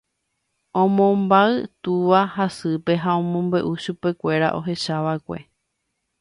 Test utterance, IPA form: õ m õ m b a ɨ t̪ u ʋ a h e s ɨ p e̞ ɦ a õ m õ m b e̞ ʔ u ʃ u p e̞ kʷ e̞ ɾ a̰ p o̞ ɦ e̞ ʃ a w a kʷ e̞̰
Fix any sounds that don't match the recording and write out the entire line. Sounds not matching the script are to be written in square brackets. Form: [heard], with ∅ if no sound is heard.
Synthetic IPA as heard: õ m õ m b a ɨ t̪ u ʋ a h [a] s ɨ p e̞ ɦ a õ m õ m b e̞ ʔ u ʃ u p e̞ kʷ e̞ ɾ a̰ [ʔ] o̞ ɦ e̞ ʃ a [ʋ] a kʷ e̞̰